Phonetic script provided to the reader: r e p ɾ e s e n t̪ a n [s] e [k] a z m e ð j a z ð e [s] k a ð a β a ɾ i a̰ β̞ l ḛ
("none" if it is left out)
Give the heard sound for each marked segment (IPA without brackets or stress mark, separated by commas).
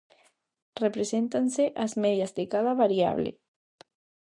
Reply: s, ʔ, none